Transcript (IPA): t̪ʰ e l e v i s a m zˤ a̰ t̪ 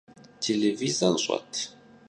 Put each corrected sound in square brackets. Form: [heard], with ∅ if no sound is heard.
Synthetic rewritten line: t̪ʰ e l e v i [z] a [n] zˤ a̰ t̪